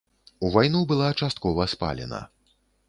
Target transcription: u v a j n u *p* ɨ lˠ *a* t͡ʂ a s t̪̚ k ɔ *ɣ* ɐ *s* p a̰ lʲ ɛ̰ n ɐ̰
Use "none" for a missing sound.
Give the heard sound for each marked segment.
b, a, v, s

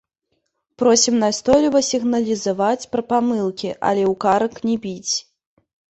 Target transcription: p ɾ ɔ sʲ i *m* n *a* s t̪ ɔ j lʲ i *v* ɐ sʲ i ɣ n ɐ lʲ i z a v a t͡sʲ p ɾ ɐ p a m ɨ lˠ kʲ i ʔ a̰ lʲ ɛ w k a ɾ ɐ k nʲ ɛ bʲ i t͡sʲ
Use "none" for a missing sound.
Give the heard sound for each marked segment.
m, a, v

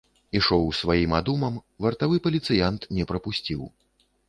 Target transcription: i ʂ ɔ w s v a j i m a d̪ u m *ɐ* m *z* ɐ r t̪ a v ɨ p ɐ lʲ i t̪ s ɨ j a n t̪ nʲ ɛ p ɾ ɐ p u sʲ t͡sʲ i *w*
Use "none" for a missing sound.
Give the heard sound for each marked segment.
ɐ, v, w

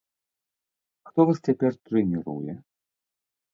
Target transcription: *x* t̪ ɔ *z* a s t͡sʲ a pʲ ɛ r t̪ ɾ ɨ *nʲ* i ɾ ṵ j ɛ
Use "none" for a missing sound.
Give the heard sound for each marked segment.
x, v, nʲ

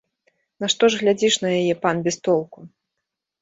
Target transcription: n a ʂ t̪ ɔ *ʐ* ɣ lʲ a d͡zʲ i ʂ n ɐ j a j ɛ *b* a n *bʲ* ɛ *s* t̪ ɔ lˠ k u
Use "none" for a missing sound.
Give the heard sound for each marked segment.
ʐ, p, bʲ, s

